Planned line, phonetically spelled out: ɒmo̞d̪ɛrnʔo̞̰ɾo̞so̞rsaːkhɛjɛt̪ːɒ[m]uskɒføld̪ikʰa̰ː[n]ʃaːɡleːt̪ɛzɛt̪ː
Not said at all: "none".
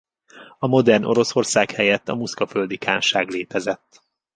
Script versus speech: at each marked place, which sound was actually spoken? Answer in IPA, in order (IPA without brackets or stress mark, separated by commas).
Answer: m, n